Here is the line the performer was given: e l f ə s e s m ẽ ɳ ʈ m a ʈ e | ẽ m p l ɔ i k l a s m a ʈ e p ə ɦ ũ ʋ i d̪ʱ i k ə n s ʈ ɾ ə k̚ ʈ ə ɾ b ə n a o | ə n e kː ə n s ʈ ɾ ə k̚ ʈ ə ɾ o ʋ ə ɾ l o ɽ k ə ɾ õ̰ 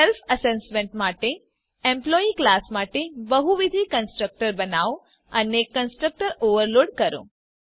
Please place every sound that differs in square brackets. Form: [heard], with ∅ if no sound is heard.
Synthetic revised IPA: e l f ə s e s m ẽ ɳ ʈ m a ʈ e | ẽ m p l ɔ i k l a s m a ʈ e [b] ə ɦ [u] ʋ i d̪ʱ i k ə n s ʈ ɾ ə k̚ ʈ ə ɾ b ə n a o | ə n e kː ə n s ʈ ɾ ə k̚ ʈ ə ɾ o ʋ ə ɾ l o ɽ k ə ɾ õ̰

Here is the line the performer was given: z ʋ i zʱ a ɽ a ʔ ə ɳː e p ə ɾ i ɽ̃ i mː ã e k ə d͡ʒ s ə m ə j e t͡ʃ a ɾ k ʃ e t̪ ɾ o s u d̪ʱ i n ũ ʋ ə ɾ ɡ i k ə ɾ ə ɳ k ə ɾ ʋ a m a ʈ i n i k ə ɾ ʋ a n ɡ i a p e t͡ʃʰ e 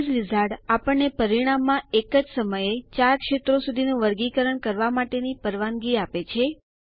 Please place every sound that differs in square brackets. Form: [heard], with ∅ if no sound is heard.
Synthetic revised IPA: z ʋ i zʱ a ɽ a [p] ə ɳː e p ə ɾ i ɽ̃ [a] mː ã e k ə d͡ʒ s ə m ə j e t͡ʃ a ɾ k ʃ e t̪ ɾ o s u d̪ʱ i n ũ ʋ ə ɾ ɡ i k ə ɾ ə ɳ k ə ɾ ʋ a m a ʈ [e] n i [p] ə ɾ ʋ a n ɡ i a p e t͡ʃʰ e

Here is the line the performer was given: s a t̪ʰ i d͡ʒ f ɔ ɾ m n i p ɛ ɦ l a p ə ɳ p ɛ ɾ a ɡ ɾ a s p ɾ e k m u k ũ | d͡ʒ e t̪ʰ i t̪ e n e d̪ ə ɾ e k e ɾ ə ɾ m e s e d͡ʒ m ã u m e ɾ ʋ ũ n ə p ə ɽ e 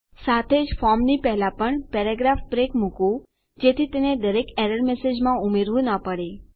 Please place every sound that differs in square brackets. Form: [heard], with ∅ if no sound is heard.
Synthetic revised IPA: s a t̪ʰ [e] d͡ʒ f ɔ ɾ m n i p ɛ ɦ l a p ə ɳ p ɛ ɾ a ɡ ɾ a [f] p ɾ e k m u k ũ | d͡ʒ e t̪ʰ i t̪ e n e d̪ ə ɾ e k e ɾ ə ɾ m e s e d͡ʒ m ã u m e ɾ ʋ ũ n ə p ə ɽ e

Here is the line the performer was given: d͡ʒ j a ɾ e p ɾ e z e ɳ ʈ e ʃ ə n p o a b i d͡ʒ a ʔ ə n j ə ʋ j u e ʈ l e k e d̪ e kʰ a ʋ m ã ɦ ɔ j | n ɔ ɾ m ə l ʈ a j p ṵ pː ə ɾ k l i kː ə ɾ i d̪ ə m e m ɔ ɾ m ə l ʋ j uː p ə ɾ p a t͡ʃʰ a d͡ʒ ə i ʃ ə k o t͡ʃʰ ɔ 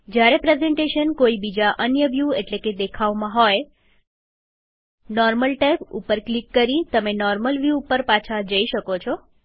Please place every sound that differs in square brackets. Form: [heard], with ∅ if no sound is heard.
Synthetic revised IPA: d͡ʒ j a ɾ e p ɾ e z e ɳ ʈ e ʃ ə n [k] o [i] b i d͡ʒ a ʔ ə n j ə ʋ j u e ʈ l e k e d̪ e kʰ a ʋ m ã ɦ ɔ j | n ɔ ɾ m ə l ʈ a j p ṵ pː ə ɾ k l i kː ə ɾ i [t̪] ə m e [n] ɔ ɾ m ə l ʋ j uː p ə ɾ p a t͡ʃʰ a d͡ʒ ə i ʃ ə k o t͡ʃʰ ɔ

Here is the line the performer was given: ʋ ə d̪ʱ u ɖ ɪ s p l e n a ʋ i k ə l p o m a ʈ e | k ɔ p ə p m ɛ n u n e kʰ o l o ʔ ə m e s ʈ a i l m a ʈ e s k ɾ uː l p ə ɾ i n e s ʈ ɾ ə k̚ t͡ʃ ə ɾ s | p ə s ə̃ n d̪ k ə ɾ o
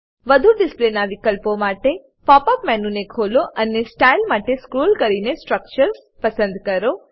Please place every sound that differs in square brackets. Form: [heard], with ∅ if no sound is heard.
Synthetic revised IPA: ʋ ə d̪ʱ u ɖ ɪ s p l e n a ʋ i k ə l p o m a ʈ e | [p] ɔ p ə p m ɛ n u n e kʰ o l o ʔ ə [n] e s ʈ a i l m a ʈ e s k ɾ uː l [k] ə ɾ i n e s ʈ ɾ ə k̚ t͡ʃ ə ɾ s | p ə s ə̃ n d̪ k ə ɾ o

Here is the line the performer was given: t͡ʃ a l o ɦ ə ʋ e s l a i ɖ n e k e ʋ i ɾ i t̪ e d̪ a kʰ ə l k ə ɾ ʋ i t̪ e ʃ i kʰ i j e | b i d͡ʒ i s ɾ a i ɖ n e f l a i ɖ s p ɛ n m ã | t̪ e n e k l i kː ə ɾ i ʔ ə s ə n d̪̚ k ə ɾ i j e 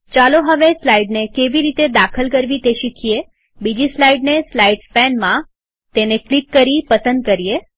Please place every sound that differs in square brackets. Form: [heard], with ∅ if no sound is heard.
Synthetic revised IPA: t͡ʃ a l o ɦ ə ʋ e s l a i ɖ n e k e ʋ i ɾ i t̪ e d̪ a kʰ ə l k ə ɾ ʋ i t̪ e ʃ i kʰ i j e | b i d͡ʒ i s [l] a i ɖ n e [s] l a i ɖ s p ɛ n m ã | t̪ e n e k l i kː ə ɾ i [p] ə s ə n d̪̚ k ə ɾ i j e

